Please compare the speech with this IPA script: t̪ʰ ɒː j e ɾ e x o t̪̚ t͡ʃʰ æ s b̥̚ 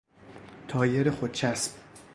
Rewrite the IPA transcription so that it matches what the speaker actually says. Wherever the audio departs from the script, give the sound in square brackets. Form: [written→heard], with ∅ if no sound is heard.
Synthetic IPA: t̪ʰ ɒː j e ɾ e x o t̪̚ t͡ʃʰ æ s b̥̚